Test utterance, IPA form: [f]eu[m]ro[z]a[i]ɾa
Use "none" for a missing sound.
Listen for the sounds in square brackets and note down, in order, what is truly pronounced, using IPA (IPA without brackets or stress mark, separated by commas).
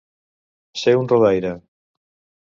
s, n, ð, j